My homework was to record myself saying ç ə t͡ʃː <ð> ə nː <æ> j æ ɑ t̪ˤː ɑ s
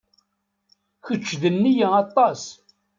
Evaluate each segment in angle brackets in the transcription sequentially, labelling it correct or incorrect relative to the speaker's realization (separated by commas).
correct, incorrect